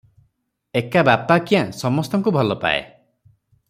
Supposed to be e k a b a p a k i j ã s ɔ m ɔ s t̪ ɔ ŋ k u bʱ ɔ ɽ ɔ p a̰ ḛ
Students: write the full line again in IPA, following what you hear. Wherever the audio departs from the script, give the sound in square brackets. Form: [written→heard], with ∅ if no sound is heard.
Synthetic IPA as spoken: e k a b a p a k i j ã s ɔ m ɔ s t̪ ɔ ŋ k u bʱ ɔ [ɽ→l] ɔ p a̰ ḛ